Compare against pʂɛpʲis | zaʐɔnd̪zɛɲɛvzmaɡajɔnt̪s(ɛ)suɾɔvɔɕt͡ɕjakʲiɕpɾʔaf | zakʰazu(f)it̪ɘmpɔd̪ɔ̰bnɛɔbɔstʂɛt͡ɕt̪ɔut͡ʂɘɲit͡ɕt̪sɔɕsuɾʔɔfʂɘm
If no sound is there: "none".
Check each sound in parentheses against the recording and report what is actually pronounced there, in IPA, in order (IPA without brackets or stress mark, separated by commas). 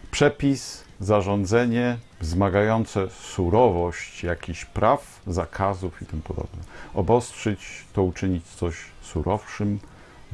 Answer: ɛ, f